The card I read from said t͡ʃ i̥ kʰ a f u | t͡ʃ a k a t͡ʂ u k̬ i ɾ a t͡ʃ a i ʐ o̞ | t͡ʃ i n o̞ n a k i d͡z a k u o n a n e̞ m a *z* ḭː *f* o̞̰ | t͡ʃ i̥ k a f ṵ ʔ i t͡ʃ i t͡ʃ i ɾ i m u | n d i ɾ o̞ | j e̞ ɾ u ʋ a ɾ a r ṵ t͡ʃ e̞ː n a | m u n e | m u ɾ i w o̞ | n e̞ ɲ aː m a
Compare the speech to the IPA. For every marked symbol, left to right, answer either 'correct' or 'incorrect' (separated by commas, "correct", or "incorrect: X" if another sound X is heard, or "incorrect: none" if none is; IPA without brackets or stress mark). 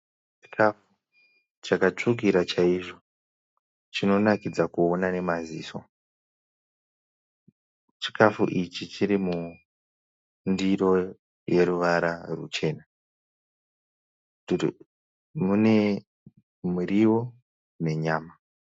correct, incorrect: s